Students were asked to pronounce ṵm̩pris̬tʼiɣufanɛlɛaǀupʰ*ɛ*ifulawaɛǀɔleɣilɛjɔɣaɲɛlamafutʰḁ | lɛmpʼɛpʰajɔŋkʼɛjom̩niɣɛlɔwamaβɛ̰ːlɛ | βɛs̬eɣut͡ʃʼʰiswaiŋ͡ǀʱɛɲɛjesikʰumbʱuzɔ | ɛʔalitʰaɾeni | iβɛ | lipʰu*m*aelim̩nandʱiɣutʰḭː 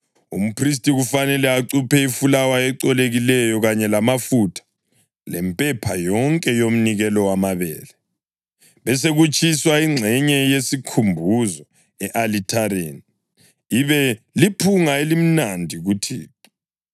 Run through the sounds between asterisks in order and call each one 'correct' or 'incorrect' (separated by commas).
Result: correct, incorrect